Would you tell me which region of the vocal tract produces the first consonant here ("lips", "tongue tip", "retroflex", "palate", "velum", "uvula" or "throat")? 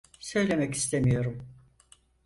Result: tongue tip